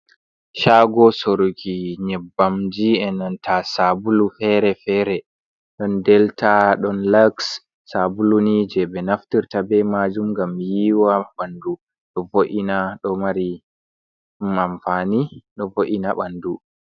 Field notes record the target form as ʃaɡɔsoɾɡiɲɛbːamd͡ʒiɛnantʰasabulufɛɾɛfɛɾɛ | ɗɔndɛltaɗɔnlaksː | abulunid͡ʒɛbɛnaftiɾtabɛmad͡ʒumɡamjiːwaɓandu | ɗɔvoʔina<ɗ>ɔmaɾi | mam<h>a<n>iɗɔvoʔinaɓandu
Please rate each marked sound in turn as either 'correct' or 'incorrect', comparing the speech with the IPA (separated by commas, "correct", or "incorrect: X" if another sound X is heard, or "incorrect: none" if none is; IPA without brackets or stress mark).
correct, incorrect: f, correct